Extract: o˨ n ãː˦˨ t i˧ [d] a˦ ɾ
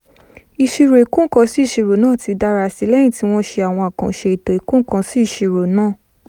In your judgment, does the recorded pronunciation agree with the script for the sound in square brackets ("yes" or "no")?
yes